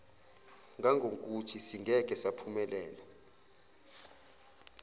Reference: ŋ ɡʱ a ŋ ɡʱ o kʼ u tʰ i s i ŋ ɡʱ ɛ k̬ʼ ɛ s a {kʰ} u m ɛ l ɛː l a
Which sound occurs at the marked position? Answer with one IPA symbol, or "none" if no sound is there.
pʰ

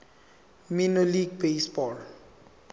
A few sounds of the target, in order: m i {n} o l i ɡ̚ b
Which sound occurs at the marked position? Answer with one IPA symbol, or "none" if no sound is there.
n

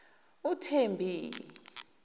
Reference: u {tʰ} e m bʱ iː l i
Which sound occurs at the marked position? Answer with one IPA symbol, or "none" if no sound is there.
tʰ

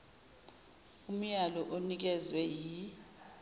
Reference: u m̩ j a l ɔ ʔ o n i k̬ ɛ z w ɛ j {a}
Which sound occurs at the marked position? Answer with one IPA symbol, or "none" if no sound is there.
i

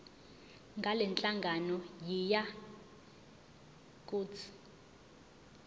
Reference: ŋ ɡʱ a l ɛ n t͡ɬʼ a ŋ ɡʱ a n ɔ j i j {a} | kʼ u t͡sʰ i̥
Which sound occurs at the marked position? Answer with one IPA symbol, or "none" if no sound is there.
a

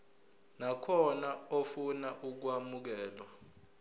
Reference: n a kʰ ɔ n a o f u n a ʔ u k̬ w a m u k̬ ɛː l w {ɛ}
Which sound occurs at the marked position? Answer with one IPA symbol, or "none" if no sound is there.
a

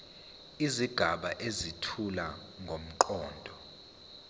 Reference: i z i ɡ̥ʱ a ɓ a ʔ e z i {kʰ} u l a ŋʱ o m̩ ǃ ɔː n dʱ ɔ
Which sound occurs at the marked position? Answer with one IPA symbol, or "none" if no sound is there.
tʰ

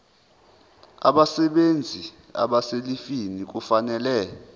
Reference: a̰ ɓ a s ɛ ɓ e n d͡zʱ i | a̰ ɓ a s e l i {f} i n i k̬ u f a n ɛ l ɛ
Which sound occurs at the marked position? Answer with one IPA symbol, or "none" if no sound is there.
f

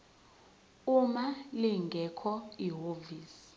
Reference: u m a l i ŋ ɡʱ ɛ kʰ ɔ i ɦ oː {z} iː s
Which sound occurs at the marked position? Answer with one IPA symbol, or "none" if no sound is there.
v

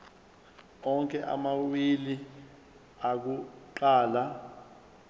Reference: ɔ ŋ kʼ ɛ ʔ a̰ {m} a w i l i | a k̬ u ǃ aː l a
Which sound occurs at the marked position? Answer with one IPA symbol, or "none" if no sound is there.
m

